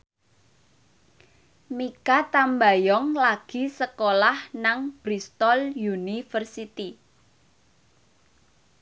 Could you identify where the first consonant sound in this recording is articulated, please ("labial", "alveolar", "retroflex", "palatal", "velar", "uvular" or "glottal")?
labial